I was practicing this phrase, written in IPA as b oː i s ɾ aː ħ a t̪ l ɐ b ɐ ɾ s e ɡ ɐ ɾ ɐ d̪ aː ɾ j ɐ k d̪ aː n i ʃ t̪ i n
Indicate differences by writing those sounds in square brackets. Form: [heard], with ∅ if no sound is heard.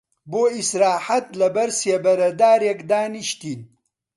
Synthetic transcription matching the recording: b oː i s ɾ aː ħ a t̪ l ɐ b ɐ ɾ s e [b] ɐ ɾ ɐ d̪ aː ɾ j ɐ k d̪ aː n i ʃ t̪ i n